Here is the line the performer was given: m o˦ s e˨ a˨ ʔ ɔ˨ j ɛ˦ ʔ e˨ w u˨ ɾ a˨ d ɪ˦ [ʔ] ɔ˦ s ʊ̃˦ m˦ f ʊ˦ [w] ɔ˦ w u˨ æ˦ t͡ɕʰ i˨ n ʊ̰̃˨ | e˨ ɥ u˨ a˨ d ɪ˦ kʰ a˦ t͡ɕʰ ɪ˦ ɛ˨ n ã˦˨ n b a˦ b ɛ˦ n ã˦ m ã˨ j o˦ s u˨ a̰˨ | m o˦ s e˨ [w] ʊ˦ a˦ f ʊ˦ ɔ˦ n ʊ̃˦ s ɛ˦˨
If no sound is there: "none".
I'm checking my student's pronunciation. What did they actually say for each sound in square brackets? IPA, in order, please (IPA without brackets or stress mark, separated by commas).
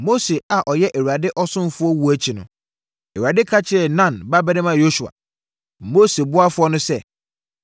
ʔ, none, b